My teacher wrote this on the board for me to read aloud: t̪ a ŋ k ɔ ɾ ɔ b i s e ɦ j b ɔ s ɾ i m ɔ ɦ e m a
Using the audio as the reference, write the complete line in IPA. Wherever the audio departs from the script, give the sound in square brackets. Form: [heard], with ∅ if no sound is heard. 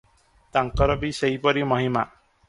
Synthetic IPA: t̪ a ŋ k ɔ ɾ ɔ b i s e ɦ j [p] ɔ [∅] ɾ i m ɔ ɦ [i] m a